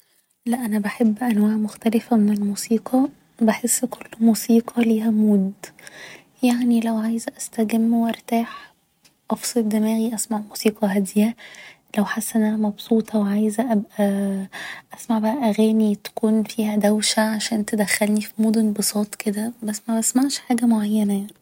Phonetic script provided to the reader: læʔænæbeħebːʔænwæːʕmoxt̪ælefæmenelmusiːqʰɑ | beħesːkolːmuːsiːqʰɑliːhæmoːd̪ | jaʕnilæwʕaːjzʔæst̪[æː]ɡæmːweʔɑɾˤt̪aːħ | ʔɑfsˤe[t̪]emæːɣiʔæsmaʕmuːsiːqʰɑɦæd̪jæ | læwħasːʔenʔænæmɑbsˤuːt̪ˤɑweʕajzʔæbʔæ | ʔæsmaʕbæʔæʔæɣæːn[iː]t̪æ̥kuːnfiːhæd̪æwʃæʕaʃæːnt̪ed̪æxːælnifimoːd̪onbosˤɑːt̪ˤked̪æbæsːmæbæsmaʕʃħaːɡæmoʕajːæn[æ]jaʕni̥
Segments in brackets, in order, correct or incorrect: incorrect, incorrect, incorrect, correct

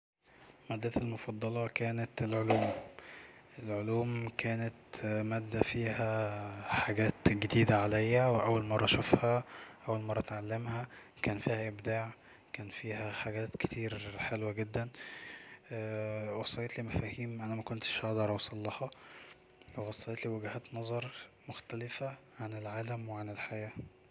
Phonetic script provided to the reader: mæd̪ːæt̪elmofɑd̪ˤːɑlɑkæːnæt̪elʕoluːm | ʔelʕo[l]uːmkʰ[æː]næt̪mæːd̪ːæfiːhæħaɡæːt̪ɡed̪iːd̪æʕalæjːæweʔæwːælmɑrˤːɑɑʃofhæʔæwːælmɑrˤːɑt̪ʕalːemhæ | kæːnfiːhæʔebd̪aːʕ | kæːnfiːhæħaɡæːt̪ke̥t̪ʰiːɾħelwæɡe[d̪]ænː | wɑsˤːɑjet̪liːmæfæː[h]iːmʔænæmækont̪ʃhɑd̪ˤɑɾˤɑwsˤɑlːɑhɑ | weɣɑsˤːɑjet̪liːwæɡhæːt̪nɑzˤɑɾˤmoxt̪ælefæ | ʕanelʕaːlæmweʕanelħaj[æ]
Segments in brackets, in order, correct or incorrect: correct, correct, incorrect, correct, incorrect

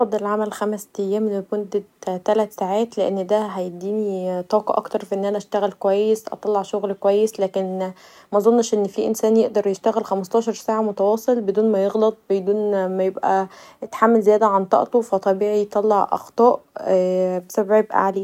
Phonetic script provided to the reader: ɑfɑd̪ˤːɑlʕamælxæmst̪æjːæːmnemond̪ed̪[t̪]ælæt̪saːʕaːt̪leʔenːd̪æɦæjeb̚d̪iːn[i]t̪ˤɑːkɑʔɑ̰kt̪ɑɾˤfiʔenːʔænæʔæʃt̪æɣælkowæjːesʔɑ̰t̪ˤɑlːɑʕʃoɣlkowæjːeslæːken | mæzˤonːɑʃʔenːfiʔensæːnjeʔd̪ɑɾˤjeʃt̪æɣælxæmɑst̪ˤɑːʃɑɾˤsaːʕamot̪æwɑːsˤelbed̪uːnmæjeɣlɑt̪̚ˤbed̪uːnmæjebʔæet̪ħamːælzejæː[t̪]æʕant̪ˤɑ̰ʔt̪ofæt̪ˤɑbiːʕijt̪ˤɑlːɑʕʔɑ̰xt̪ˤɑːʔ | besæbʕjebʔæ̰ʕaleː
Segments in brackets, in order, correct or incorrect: correct, correct, incorrect

